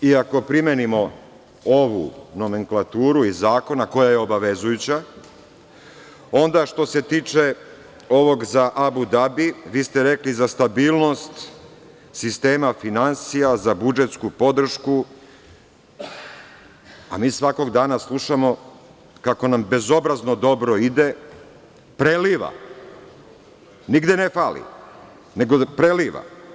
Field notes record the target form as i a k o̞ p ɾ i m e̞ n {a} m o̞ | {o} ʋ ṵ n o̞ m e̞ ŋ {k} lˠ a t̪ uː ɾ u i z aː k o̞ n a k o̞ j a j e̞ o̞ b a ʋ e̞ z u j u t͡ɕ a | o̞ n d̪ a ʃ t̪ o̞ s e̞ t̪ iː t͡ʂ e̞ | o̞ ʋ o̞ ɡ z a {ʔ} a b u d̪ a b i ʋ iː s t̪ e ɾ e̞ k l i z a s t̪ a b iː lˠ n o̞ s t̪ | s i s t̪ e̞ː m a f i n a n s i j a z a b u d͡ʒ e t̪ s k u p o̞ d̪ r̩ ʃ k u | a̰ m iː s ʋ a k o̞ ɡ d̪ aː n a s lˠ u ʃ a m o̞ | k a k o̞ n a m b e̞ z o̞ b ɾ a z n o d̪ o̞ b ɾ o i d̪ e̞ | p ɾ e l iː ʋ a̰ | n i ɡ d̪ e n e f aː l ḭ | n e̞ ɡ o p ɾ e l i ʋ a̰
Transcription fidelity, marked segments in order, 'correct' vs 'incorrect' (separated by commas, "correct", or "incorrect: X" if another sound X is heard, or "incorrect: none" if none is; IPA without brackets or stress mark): incorrect: i, correct, correct, correct